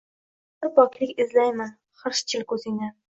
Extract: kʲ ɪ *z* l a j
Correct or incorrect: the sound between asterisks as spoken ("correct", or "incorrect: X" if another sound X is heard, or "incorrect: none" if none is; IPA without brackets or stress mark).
correct